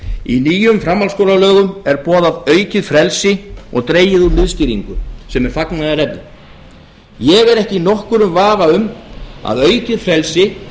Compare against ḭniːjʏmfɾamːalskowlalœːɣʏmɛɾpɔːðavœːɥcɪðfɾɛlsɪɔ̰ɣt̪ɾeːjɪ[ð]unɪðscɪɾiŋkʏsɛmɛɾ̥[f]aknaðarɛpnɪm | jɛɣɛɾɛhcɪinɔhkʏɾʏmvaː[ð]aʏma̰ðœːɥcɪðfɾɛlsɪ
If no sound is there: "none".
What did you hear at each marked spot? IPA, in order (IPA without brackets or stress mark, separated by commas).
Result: ð, f, v